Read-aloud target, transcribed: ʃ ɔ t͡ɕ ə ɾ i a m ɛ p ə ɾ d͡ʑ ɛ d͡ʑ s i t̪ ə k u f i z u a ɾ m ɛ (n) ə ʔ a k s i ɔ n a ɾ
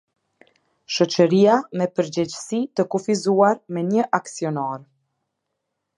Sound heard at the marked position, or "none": ɲ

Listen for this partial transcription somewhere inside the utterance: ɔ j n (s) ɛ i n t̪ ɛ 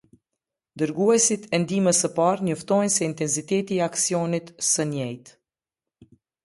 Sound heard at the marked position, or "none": s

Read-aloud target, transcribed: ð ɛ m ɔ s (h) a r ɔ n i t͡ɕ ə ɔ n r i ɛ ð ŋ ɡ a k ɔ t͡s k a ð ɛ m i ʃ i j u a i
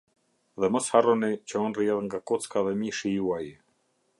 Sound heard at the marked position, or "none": h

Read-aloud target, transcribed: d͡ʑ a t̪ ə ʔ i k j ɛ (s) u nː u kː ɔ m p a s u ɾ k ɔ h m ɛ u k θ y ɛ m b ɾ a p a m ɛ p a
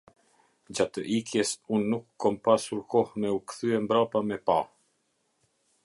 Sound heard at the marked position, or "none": s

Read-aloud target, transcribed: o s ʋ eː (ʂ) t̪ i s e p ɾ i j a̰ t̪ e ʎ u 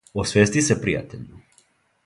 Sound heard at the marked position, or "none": s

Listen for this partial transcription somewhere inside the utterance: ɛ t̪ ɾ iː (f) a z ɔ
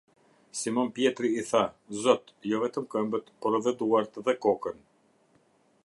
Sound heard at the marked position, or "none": θ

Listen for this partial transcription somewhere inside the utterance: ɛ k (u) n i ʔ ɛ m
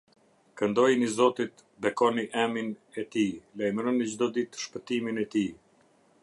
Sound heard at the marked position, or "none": ɔ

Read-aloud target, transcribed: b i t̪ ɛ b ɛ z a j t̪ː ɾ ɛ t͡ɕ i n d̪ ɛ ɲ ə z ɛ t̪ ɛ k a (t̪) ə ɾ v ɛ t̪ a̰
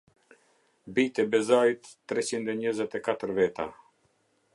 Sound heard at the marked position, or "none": t̪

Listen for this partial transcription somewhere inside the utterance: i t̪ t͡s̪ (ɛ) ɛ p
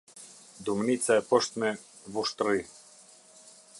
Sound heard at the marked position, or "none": a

